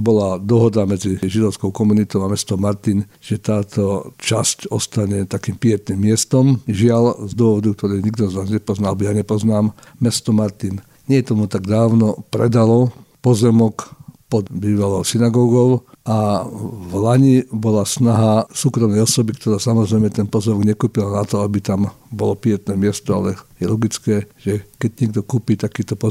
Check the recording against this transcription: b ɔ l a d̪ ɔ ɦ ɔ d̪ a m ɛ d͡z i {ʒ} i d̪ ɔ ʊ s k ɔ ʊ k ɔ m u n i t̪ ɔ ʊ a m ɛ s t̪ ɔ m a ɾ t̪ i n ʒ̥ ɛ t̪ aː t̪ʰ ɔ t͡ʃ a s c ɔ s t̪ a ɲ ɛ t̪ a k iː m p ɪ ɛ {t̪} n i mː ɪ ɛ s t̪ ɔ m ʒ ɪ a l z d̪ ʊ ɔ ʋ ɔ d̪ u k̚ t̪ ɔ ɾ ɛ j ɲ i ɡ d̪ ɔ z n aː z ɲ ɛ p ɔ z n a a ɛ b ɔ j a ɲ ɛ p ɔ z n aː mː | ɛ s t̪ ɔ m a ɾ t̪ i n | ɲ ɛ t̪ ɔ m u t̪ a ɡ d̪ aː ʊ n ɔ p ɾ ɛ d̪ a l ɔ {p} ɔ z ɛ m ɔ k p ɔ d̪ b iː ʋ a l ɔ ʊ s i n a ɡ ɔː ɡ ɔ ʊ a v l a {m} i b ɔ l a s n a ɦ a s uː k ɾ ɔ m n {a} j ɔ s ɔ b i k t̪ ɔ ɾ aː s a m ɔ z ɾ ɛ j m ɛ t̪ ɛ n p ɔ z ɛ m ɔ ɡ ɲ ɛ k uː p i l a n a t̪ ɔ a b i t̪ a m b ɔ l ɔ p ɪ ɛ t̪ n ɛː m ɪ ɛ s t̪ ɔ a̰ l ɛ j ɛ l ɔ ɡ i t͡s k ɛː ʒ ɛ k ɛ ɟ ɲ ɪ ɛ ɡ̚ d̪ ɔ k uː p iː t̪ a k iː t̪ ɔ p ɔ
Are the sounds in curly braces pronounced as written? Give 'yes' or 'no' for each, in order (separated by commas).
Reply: yes, yes, yes, no, no